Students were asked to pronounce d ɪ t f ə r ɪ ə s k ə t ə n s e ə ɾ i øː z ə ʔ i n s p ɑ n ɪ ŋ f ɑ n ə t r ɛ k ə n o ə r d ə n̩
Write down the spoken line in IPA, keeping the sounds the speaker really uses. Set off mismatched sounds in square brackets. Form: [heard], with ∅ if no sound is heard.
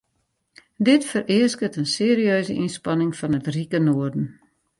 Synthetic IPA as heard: d ɪ t f ə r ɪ ə s k ə t ə n s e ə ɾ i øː z ə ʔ i n s p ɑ n ɪ ŋ f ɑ n ə t r [i] k ə n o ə r d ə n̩